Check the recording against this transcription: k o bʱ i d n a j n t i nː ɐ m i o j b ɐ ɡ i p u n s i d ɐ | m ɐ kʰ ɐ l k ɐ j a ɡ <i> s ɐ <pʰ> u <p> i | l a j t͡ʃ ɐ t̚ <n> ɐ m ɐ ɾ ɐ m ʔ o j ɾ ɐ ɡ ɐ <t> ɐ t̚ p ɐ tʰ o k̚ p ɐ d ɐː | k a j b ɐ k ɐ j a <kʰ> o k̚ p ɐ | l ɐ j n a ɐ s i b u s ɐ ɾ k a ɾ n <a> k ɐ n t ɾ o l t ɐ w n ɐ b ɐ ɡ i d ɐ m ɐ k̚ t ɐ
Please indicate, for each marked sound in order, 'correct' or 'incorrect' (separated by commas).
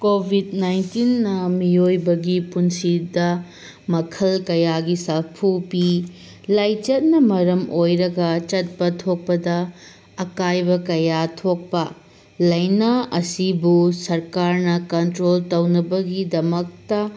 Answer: correct, correct, correct, correct, incorrect, incorrect, incorrect